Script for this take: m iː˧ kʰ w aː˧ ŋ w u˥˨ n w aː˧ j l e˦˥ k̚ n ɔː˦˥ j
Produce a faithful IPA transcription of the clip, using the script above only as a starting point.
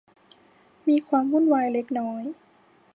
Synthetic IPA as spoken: m iː˧ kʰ w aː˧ m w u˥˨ n w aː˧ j l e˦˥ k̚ n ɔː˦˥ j